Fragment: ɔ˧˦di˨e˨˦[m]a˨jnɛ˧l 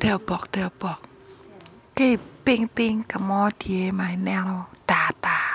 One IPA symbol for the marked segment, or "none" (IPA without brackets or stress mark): m